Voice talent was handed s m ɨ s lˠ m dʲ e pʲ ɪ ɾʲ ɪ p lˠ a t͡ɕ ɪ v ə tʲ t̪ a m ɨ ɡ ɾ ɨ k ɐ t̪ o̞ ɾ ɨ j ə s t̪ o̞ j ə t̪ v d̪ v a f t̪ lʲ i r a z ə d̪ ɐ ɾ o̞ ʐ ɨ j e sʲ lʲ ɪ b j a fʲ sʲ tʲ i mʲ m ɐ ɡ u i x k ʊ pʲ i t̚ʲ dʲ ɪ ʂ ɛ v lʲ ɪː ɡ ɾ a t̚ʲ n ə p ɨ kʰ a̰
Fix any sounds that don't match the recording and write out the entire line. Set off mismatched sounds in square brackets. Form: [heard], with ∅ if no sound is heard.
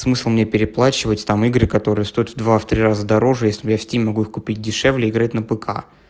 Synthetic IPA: s m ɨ s lˠ m [nʲ] e pʲ ɪ ɾʲ ɪ p lˠ a t͡ɕ ɪ v ə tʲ t̪ a m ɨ ɡ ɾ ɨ k ɐ t̪ o̞ ɾ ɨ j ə s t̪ o̞ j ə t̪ v d̪ v a f t̪ [ɾʲ] i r a z ə d̪ ɐ ɾ o̞ ʐ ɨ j e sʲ lʲ ɪ b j a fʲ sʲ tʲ i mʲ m ɐ ɡ u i x k ʊ pʲ i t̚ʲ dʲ ɪ ʂ ɛ v lʲ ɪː ɡ ɾ a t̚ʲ n ə p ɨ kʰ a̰